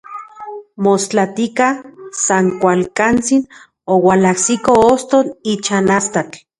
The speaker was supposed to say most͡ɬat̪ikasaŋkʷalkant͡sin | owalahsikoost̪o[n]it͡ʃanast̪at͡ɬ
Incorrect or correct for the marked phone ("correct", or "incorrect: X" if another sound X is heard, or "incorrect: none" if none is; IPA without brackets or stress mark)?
correct